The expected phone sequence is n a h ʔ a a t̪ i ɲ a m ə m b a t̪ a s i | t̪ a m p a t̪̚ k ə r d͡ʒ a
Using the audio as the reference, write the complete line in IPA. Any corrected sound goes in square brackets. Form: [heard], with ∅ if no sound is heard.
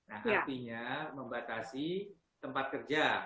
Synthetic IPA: n a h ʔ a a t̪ i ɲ a m ə m b a t̪ a s i | t̪ [ə] m p a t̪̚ k ə r d͡ʒ a